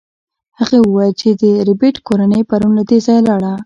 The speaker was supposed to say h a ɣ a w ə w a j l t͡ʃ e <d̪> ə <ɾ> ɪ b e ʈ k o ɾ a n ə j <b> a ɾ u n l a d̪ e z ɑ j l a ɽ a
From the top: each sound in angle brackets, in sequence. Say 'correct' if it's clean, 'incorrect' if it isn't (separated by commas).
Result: correct, correct, incorrect